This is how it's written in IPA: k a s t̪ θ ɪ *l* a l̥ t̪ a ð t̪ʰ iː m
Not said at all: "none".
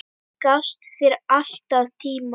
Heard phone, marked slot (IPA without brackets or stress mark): ɾ